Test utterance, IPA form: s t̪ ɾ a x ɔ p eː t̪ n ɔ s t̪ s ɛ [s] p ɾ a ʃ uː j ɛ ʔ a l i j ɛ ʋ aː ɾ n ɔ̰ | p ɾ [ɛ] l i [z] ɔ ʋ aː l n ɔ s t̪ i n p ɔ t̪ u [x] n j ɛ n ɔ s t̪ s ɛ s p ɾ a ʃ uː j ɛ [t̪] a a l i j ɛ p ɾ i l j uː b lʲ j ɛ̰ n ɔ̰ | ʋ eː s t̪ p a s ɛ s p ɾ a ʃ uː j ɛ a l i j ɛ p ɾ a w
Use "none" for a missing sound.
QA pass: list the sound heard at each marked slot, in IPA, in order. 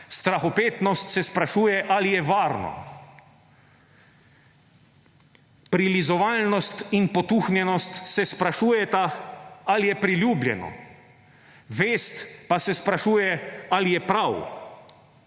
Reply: s, i, z, x, t̪

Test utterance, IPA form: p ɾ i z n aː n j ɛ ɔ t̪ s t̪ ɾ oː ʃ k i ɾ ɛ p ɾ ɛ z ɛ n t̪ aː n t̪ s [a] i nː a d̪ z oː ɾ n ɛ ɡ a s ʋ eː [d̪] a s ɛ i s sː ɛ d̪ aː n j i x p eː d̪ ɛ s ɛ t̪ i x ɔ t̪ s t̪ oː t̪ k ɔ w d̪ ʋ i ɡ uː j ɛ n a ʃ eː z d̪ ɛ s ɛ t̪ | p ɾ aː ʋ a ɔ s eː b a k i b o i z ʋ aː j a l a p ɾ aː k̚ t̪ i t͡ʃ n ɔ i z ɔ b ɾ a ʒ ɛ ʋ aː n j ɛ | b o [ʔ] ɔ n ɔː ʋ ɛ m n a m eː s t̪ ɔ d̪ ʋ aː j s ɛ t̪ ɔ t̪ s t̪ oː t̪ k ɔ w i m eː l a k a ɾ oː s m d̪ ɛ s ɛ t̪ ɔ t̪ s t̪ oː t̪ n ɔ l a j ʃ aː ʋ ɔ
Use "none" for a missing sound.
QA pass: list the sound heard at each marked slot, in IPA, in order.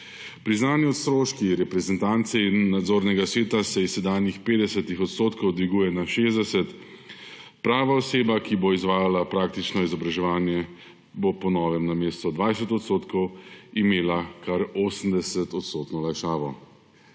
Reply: ɛ, t̪, p

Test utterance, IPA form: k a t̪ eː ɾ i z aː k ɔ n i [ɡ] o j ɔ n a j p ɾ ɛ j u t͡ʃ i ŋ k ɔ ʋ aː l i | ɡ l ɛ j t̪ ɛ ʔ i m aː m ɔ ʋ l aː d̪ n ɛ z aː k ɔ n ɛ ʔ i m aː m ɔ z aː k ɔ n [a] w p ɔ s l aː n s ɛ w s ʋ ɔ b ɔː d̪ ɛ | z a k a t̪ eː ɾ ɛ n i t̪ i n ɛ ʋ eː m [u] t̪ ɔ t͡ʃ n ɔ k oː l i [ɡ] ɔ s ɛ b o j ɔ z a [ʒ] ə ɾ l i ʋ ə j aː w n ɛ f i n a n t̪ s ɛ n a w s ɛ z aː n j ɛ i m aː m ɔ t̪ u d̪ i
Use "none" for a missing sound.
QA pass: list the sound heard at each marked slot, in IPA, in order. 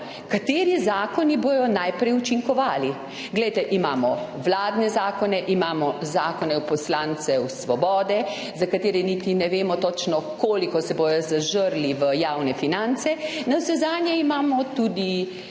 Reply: b, ɛ, ɔ, k, ʒ

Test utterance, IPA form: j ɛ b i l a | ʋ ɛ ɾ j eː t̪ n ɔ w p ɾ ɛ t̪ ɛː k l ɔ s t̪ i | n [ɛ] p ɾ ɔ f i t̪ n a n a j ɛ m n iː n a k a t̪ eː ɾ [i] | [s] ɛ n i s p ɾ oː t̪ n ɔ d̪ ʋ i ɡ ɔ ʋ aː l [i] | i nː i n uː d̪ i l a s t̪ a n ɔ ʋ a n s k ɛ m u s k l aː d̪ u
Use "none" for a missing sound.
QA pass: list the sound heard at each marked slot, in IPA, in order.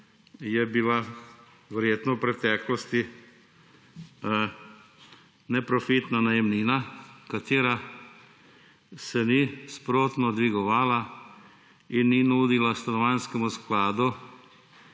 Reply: ɛ, a, s, a

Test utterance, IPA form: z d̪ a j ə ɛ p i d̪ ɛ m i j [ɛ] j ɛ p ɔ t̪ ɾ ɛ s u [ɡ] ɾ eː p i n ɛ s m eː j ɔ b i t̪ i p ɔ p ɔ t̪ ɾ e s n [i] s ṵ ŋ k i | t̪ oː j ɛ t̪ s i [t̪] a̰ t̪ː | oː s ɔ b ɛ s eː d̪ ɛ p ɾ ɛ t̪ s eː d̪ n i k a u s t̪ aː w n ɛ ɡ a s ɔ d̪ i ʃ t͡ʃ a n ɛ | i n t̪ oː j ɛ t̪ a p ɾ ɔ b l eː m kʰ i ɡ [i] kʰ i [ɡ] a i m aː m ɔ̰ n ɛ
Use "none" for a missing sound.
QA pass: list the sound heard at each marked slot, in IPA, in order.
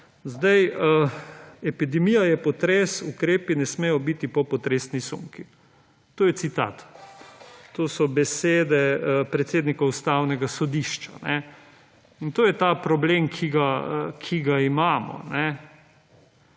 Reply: a, k, i, t̪, a, ɡ

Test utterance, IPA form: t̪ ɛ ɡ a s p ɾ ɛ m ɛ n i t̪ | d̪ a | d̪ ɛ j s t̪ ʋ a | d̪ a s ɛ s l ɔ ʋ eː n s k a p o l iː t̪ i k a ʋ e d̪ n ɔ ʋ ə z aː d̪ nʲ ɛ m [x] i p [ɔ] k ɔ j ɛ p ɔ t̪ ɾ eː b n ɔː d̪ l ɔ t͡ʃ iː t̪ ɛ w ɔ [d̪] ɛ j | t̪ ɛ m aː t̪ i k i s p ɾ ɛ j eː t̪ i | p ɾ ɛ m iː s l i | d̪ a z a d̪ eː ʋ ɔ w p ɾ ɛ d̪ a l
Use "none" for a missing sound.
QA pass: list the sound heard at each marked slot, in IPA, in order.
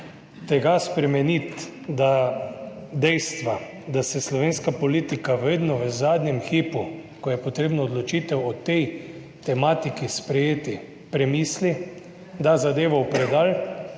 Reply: x, u, t̪

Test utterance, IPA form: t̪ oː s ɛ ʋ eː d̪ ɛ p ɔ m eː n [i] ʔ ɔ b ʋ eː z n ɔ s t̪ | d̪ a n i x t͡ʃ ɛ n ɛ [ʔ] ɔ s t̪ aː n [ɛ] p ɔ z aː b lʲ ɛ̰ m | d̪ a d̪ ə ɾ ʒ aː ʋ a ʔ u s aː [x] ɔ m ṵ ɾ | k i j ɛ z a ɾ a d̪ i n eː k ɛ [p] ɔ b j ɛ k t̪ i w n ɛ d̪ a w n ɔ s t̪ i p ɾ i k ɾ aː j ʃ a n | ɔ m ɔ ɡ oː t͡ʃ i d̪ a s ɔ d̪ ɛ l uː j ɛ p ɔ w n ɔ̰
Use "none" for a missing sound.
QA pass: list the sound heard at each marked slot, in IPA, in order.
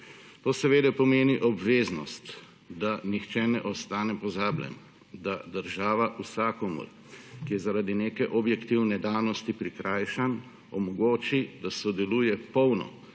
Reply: i, ʔ, ɛ, k, ʔ

